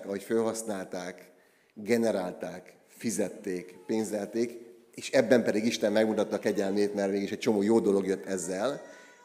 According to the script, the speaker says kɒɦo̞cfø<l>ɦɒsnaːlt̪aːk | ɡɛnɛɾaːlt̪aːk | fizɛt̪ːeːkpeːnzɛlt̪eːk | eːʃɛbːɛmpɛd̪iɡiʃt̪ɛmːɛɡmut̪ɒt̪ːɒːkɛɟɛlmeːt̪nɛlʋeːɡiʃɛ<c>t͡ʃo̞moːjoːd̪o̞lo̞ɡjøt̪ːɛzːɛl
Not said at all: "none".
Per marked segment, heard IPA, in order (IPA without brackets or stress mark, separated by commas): l, c